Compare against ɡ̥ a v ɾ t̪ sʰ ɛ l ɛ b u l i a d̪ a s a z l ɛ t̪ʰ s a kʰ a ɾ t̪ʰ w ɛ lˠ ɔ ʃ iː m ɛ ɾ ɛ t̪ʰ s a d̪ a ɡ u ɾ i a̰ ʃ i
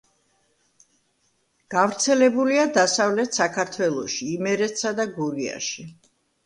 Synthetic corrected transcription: ɡ̥ a v ɾ t̪ sʰ ɛ l ɛ b u l i a d̪ a s a v l ɛ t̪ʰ s a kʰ a ɾ t̪ʰ w ɛ lˠ ɔ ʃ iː m ɛ ɾ ɛ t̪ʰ s a d̪ a ɡ u ɾ i a̰ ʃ i